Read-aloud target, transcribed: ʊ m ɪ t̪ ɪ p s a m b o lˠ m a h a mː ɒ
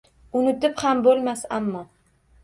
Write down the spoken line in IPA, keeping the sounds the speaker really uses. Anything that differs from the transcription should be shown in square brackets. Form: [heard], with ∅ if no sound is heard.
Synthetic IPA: ʊ [n] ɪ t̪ ɪ p [h] a m b o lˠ m a [s] a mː ɒ